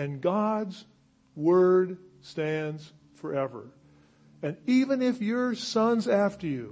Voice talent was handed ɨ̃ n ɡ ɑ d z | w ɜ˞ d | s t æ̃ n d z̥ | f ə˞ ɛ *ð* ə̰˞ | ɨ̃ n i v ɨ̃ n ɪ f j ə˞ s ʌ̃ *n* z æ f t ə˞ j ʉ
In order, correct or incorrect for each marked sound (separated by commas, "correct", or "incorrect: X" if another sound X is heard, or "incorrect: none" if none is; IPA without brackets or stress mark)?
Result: incorrect: v, correct